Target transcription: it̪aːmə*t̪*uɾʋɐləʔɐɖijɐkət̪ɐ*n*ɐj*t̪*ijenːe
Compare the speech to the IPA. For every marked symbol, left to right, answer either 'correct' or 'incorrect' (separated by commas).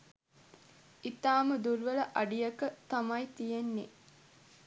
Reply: incorrect, incorrect, correct